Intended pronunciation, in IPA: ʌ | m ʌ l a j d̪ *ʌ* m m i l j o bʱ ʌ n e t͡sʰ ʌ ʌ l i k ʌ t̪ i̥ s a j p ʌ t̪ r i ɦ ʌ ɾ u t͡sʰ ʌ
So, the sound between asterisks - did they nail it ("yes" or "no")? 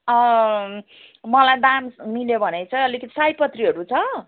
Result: no